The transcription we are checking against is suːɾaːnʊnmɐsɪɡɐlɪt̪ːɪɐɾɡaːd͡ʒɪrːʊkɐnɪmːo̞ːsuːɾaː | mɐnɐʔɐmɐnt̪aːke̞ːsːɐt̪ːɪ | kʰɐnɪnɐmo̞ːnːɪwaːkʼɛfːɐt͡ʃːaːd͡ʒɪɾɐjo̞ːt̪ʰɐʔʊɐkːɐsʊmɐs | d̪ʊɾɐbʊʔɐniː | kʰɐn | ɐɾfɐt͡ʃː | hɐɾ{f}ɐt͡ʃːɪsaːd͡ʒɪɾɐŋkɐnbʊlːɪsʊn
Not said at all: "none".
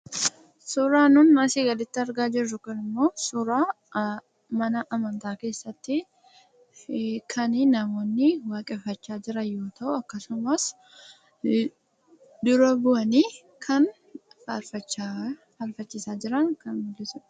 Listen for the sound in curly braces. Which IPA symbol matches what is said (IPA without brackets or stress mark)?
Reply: f